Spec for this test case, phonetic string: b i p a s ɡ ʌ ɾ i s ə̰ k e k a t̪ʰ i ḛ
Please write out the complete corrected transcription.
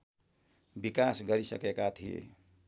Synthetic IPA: b i k a s ɡ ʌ ɾ i s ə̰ k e k a t̪ʰ i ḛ